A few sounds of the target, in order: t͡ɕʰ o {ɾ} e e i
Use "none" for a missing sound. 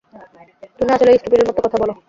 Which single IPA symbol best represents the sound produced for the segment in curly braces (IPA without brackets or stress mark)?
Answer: l